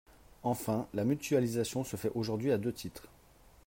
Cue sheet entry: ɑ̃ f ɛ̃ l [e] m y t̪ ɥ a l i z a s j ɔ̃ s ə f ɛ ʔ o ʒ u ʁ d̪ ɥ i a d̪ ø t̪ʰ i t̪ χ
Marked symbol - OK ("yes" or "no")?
no